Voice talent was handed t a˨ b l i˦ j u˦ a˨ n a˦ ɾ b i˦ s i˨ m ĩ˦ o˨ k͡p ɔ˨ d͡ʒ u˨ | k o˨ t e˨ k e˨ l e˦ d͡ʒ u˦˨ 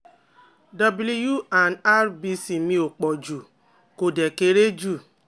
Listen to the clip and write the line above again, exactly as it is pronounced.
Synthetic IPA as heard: d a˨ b l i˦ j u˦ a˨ n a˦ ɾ b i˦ s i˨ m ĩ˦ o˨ k͡p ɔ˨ d͡ʒ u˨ | k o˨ d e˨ k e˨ ɾ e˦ d͡ʒ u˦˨